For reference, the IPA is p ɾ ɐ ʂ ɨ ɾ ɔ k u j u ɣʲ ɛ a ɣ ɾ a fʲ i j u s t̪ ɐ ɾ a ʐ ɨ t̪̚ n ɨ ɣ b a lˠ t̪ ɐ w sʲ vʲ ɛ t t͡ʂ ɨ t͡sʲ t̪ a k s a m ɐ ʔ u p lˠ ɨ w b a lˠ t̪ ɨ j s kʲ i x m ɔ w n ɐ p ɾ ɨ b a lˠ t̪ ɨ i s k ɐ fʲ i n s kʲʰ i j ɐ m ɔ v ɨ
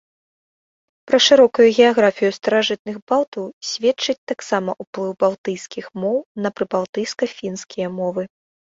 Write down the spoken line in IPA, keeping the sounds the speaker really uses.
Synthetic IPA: p ɾ ɐ ʂ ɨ ɾ ɔ k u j u ɣʲ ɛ a ɣ ɾ a fʲ i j u s t̪ ɐ ɾ a ʐ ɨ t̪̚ n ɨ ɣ b a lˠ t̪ ɐ w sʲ vʲ ɛ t t͡ʂ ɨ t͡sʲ t̪ a k s a m ɐ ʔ u p lˠ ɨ w b a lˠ t̪ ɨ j s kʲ i x m ɔ w n ɐ p ɾ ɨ b a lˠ t̪ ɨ j s k ɐ fʲ i n s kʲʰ i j ɐ m ɔ v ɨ